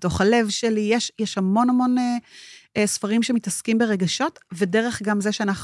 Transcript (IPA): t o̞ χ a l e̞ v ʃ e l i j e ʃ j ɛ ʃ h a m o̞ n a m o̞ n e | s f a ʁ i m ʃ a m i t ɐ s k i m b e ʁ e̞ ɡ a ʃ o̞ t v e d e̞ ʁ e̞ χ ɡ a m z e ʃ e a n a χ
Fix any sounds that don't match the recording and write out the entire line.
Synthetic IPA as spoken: t o̞ χ a l e̞ v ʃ e l i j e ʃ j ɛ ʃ h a m o̞ n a m o̞ n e | s f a ʁ i m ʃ e m i t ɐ s k i m b e ʁ e̞ ɡ a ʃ o̞ t v e d e̞ ʁ e̞ χ ɡ a m z e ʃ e a n a χ